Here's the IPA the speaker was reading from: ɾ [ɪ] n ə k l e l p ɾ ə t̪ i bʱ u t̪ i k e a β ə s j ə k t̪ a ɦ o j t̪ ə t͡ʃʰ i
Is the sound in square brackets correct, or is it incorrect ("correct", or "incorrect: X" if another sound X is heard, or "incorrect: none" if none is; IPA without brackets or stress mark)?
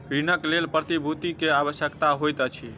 incorrect: i